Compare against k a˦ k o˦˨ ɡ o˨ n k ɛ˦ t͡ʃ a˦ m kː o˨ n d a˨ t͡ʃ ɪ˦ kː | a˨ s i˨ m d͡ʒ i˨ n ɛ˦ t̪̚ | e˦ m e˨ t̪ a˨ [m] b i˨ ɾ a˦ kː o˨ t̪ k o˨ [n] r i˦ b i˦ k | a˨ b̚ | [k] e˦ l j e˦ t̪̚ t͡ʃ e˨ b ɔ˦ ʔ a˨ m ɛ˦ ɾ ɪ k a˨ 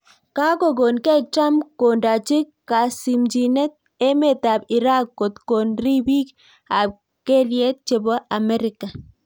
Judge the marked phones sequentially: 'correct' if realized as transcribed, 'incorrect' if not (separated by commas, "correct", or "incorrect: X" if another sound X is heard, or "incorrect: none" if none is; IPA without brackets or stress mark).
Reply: incorrect: none, correct, correct